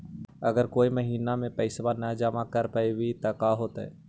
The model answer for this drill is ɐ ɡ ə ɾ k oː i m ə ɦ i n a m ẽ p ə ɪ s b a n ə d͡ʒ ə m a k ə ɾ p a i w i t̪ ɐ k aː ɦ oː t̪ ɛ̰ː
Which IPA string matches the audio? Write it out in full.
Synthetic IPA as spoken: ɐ ɡ ə ɾ k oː i m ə ɦ iː n a m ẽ p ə ɪ s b a n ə d͡ʒ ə m a k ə ɾ p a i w i t̪ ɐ k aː ɦ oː t̪ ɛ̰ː